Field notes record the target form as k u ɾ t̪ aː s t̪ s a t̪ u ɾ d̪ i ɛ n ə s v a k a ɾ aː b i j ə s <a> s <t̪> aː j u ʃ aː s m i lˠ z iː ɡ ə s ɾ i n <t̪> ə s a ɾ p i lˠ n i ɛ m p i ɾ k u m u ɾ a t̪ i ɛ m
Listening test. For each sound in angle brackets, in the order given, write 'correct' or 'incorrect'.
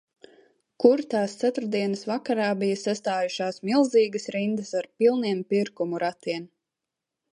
correct, correct, incorrect

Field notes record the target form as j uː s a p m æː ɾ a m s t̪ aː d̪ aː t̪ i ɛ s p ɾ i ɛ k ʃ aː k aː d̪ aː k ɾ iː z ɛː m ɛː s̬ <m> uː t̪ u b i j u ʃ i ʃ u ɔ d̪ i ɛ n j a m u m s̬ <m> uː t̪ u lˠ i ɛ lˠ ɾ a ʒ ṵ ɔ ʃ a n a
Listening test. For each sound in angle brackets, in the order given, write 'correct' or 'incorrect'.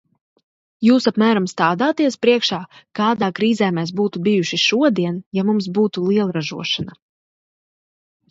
incorrect, incorrect

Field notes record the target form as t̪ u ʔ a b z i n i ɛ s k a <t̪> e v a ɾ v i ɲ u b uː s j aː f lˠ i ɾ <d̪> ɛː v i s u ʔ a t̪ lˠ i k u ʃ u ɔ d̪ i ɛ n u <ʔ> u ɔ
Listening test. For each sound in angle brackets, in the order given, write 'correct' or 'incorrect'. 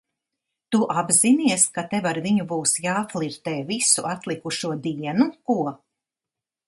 correct, incorrect, incorrect

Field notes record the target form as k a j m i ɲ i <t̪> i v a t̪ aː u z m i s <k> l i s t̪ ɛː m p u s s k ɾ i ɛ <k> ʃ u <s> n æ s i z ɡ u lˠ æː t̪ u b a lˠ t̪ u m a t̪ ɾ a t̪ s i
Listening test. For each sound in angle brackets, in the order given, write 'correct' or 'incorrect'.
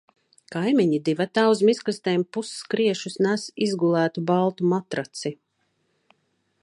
incorrect, correct, incorrect, correct

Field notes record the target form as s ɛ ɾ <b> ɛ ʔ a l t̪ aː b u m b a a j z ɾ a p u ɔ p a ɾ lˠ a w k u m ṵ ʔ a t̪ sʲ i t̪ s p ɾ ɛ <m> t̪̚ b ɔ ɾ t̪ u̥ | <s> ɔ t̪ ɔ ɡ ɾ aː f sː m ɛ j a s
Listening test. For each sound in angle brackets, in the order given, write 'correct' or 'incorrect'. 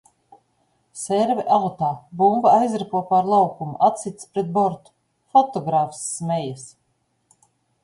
incorrect, incorrect, incorrect

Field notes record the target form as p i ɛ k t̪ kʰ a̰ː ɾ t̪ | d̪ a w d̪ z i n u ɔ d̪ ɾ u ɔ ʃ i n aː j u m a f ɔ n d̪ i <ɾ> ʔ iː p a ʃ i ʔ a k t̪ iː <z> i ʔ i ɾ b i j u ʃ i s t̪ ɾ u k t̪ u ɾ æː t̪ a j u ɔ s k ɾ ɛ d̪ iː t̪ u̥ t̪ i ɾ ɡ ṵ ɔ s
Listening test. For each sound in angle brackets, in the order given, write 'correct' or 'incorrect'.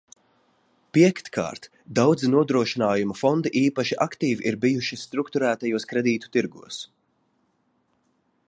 incorrect, incorrect

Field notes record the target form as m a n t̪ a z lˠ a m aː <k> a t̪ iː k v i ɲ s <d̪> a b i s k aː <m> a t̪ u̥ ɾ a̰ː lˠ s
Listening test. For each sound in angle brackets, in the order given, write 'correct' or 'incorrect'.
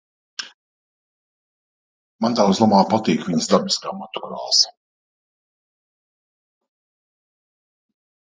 incorrect, correct, correct

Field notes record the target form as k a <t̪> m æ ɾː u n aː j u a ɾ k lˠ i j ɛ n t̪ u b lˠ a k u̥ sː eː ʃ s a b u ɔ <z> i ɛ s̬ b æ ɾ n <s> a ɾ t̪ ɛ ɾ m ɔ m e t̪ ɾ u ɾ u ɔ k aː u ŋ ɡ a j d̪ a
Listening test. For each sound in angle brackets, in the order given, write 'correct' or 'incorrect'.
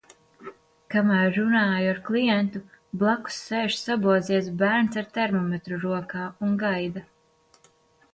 incorrect, correct, correct

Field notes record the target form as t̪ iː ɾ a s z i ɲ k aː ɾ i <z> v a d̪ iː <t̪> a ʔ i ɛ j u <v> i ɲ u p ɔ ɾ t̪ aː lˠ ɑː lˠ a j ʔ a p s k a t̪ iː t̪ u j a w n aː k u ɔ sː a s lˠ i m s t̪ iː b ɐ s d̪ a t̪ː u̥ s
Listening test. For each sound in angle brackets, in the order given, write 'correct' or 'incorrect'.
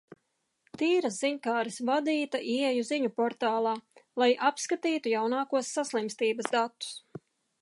incorrect, correct, incorrect

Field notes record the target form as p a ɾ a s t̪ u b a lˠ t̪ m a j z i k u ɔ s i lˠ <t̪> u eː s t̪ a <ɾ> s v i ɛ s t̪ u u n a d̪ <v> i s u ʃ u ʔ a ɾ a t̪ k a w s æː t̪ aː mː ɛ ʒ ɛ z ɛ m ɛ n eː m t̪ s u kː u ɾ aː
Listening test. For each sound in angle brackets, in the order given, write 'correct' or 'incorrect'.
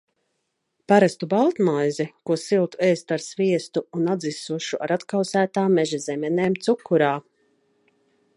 correct, correct, incorrect

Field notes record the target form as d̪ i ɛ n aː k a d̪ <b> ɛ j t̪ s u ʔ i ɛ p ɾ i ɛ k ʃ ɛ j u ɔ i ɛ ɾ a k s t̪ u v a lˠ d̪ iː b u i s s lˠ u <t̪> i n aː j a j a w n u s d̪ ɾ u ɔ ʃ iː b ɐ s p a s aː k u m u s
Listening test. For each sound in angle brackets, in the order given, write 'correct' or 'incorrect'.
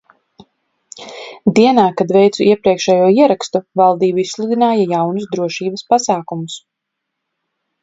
incorrect, incorrect

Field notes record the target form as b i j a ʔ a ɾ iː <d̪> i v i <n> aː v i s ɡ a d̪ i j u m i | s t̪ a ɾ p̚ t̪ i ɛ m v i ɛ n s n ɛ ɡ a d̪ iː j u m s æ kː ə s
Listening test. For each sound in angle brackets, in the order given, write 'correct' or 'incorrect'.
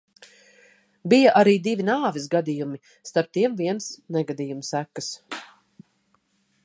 correct, correct

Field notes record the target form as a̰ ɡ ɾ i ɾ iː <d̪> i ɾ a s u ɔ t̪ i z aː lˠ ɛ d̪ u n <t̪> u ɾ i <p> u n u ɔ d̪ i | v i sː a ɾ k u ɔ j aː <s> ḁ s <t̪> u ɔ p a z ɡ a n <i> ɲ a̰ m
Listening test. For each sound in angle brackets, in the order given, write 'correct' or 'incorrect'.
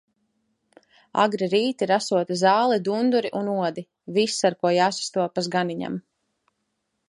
incorrect, incorrect, incorrect, correct, correct, correct

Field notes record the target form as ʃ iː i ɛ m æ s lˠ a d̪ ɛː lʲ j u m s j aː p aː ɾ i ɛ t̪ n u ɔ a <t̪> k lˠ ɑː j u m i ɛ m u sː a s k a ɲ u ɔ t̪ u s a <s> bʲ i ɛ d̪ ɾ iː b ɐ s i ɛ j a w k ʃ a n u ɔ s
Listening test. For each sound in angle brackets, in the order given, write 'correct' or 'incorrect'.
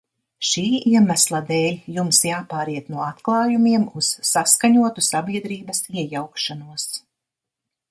correct, incorrect

